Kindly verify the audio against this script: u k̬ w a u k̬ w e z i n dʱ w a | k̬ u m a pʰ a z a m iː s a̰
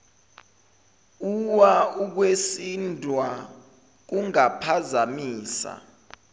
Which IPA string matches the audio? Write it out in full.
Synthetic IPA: u w a u k̬ w e s i n dʱ w a | k̬ u ŋ a pʰ a z a m iː s a̰

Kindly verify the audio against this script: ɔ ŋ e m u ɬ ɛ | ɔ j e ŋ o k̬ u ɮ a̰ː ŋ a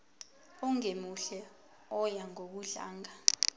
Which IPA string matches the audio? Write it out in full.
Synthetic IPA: ɔ ŋ e m u ɬ ɛ | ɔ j a ŋ o k̬ u ɮ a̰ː ŋ a

